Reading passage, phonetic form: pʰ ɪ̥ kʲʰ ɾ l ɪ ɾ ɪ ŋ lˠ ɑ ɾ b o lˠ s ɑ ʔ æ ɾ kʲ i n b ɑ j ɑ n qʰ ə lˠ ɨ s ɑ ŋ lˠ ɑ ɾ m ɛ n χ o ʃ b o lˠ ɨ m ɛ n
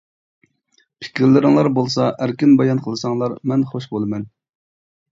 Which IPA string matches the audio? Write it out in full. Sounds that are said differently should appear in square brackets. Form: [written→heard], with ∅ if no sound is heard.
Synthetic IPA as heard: pʰ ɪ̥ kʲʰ ɾ l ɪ ɾ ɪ ŋ lˠ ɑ ɾ b o lˠ s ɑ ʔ æ ɾ kʲ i n b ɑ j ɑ n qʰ ə lˠ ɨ s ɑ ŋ lˠ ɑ ɾ m ɛ n χ o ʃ b o lˠ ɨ m ɛ n